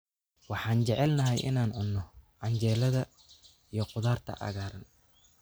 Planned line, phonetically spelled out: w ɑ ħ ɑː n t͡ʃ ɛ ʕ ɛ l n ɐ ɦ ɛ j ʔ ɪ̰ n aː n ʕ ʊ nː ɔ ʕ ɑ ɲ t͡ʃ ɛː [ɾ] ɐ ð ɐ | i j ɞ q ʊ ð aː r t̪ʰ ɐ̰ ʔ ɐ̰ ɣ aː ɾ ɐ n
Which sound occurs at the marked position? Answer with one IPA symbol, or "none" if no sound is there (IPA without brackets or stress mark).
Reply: l